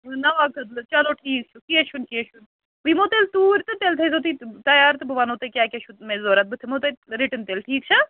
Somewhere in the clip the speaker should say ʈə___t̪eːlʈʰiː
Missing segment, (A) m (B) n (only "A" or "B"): B